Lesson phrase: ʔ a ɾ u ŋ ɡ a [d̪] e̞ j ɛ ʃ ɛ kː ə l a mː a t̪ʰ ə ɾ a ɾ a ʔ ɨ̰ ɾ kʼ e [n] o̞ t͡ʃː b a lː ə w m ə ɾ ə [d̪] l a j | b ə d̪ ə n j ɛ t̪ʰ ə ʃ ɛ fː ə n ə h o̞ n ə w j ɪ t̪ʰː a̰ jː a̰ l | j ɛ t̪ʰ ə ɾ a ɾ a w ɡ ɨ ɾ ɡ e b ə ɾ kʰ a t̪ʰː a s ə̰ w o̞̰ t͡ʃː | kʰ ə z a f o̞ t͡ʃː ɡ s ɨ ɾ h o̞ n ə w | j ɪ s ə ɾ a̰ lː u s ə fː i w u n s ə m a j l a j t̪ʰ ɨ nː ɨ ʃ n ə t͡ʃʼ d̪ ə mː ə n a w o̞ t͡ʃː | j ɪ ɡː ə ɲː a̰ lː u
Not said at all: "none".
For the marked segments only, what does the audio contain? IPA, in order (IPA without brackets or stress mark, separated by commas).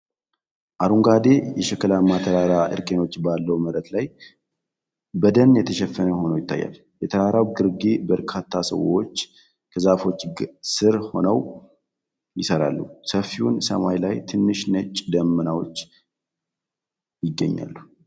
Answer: d̪, n, t̪